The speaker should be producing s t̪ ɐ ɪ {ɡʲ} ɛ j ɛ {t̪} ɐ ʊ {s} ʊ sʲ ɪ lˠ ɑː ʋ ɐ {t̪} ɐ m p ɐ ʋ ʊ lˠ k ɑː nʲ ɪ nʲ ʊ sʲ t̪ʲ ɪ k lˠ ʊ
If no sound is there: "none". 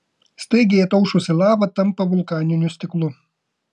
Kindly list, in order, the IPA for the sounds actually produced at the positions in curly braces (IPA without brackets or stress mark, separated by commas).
ɡʲ, t̪, ʃ, t̪